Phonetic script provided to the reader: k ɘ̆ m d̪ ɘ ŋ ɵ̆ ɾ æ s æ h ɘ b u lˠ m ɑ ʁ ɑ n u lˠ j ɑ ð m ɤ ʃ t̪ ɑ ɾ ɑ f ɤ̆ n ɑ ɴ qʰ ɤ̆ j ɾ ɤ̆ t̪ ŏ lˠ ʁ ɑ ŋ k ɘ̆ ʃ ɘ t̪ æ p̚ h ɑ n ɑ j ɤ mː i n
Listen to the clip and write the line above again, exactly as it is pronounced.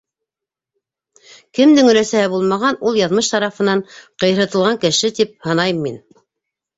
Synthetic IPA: k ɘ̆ m d̪ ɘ ŋ ɵ̆ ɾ æ s æ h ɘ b u lˠ m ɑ ʁ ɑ n u lˠ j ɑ ð m ɤ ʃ t̪ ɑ ɾ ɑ f ɤ̆ n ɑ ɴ q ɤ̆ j ɾ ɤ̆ t̪ ɤ̆ lˠ ʁ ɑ ŋ k ɘ̆ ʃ ɘ t̪ i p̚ h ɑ n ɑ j ɤ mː i n